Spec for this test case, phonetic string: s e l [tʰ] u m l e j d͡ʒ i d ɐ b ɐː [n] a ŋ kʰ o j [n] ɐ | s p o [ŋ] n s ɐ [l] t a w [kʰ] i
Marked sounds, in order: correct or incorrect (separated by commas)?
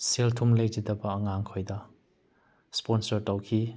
correct, incorrect, incorrect, incorrect, incorrect, correct